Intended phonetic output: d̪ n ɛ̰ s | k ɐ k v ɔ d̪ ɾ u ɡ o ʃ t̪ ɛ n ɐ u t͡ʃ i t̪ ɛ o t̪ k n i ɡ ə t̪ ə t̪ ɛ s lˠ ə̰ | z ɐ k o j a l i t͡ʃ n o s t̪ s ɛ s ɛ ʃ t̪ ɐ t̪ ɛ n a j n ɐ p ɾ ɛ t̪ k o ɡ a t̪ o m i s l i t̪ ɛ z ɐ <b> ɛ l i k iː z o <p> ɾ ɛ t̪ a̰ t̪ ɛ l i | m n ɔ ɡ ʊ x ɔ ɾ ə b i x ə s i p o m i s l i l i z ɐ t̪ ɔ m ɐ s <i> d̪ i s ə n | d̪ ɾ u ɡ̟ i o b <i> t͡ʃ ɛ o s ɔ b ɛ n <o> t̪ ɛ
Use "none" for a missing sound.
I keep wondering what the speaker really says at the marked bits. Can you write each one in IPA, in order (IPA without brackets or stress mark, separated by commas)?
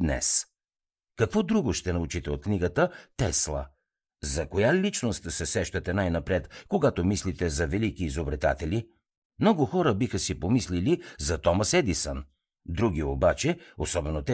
v, b, ɛ, a, o